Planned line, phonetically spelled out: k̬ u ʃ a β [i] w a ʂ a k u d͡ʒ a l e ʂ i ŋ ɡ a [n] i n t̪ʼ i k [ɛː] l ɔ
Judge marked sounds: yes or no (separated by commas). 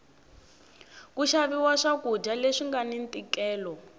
yes, yes, yes